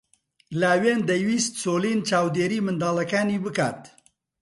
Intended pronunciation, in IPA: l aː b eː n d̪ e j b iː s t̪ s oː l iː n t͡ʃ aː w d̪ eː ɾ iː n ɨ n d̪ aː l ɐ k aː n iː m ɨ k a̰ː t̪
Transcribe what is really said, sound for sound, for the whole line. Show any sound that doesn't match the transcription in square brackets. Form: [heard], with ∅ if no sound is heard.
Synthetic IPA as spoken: l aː [w] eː n d̪ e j [w] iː s t̪ s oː l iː n t͡ʃ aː w d̪ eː ɾ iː [m] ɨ n d̪ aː l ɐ k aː n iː [b] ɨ k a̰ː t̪